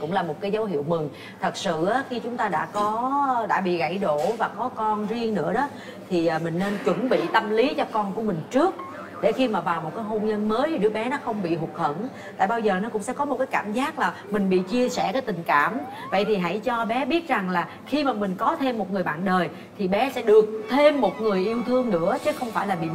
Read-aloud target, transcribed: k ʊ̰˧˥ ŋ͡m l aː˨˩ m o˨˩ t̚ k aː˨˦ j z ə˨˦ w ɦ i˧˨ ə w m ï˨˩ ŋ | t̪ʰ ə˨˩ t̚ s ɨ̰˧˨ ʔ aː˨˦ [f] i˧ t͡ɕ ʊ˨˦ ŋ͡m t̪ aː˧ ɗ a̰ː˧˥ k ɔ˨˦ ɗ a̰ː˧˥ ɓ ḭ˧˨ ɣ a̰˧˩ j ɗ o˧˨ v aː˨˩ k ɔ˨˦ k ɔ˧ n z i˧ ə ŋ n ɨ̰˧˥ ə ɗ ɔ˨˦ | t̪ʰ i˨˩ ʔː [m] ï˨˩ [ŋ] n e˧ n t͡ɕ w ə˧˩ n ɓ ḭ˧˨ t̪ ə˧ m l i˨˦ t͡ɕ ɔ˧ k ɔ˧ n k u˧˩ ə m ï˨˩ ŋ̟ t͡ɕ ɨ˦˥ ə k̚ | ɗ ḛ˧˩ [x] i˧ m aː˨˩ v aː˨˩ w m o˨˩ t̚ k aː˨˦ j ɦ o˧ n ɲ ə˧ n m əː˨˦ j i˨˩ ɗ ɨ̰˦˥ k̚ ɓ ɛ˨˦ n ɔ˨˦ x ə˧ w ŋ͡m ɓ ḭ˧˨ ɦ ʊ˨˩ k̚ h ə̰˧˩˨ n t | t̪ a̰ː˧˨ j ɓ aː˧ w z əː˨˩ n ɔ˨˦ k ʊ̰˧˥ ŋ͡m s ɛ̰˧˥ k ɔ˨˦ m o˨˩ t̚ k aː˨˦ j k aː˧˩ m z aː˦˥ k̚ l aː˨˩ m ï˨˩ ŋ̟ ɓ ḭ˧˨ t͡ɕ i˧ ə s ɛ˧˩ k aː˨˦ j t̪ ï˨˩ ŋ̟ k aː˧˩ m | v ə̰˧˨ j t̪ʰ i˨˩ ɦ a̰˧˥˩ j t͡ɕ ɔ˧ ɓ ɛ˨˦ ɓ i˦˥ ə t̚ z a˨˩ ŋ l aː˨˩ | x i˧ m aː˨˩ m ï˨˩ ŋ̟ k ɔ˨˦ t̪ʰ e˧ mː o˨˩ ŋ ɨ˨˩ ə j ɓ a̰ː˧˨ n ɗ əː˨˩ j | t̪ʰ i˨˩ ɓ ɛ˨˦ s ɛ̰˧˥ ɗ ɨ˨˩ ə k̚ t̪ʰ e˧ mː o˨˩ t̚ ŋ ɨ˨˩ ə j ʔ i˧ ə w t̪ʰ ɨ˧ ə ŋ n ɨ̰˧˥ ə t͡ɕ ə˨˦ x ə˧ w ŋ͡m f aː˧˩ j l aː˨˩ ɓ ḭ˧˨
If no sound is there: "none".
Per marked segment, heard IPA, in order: x, m, ŋ, x

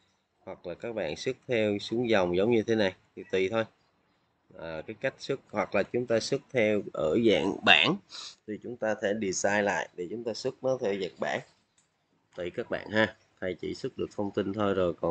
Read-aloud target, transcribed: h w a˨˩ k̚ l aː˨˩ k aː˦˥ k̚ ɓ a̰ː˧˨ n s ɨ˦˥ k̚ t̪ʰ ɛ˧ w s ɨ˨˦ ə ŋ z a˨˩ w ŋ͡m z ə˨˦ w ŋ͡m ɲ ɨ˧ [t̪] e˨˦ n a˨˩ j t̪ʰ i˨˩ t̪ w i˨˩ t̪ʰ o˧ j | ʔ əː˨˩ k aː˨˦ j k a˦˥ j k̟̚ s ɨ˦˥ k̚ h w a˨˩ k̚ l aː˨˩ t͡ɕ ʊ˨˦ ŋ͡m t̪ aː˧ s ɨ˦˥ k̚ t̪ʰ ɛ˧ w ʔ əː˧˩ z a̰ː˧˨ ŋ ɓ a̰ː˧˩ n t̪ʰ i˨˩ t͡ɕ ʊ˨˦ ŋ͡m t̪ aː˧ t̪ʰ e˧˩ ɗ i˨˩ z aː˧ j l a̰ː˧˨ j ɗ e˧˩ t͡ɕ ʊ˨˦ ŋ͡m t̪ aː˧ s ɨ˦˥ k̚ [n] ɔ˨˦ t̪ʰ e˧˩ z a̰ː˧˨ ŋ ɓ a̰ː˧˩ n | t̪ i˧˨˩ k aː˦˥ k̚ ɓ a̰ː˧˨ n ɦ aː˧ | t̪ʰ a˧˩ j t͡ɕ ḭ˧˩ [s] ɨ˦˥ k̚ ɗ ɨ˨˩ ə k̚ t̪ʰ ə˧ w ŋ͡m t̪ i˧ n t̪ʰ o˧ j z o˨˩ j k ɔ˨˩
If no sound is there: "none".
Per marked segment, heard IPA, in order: t̪ʰ, n, s

